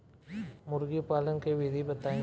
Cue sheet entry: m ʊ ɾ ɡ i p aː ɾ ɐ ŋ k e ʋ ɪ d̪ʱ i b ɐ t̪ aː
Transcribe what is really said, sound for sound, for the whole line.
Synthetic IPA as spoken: m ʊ ɾ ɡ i p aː l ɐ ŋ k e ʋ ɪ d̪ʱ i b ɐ t̪ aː